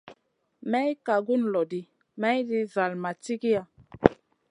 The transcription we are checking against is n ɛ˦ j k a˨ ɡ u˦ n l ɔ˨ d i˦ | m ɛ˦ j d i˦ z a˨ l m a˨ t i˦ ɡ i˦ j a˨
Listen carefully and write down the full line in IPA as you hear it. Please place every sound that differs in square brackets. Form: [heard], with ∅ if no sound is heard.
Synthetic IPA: [m] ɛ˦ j k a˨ ɡ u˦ n l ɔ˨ d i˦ | m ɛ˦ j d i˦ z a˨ l m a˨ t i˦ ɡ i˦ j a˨